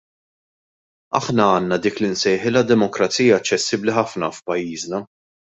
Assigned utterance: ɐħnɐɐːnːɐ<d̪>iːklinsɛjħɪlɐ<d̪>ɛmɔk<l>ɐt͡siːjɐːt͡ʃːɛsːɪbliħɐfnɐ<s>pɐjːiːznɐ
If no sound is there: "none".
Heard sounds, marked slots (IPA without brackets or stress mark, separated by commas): d̪, d̪, ɾ, f